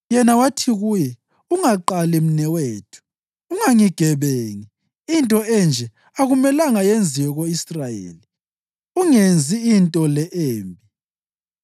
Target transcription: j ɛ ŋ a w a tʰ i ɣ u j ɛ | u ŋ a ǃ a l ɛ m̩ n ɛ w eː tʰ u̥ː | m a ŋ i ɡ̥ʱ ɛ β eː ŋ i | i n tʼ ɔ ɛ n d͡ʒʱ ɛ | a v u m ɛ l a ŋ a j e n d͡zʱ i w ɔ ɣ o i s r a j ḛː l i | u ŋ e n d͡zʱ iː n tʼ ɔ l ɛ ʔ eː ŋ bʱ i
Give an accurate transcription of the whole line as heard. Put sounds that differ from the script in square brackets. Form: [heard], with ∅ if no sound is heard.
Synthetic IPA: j ɛ [n] a w a tʰ i ɣ u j ɛ | u ŋ a ǃ a l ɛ m̩ n ɛ w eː tʰ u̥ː | [ŋ] a ŋ i ɡ̥ʱ ɛ β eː ŋ i | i n tʼ ɔ ɛ n d͡ʒʱ ɛ | a [ɣ] u m ɛ l a ŋ a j e n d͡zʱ i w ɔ ɣ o i s r a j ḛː l i | u ŋ e n d͡zʱ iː n tʼ ɔ l ɛ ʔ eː [m] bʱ i